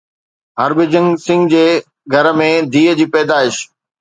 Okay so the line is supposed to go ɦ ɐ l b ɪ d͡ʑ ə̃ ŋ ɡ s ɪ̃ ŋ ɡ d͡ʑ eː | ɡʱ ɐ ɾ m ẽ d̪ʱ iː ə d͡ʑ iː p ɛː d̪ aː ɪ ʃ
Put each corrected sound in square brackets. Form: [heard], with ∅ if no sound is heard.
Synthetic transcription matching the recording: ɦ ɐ [ɾ] b ɪ d͡ʑ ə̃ ŋ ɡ s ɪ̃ ŋ ɡ d͡ʑ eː | ɡʱ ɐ ɾ m ẽ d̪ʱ iː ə d͡ʑ iː p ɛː d̪ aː ɪ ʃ